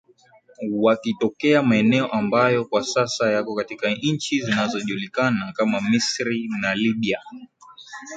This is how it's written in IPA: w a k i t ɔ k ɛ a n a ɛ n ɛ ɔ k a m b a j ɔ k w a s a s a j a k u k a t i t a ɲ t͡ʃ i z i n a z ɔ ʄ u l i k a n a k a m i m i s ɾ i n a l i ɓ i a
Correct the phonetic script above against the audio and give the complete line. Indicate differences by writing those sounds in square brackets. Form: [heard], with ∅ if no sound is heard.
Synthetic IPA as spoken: w a k i t ɔ k ɛ a [m] a ɛ n ɛ ɔ [ʔ] a m b a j ɔ k w a s a s a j a k [ɔ] k a t i [k] a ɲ t͡ʃ i z i n a z ɔ ʄ u l i k a n a k a m [a] m i s ɾ i n a l i ɓ i a